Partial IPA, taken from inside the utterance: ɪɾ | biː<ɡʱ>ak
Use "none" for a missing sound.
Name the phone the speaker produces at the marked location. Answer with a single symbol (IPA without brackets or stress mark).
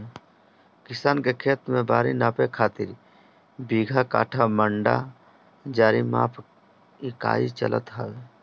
ɡʱ